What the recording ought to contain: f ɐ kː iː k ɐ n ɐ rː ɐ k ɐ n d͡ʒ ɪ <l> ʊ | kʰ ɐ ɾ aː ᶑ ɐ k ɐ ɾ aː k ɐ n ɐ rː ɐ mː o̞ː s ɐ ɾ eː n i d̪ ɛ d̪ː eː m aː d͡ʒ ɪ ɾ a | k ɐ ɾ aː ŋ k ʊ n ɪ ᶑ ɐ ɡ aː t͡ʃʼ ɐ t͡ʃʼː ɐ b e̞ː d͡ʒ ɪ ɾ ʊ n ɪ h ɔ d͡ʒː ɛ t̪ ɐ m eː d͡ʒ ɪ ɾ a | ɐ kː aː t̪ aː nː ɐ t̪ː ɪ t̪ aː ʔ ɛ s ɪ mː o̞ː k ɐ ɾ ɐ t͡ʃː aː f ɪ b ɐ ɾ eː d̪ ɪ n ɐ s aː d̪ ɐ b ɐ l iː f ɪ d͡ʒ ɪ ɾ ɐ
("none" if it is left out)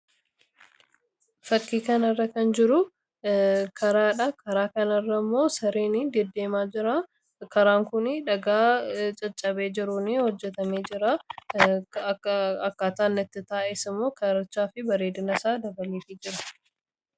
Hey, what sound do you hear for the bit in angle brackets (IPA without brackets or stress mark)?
ɾ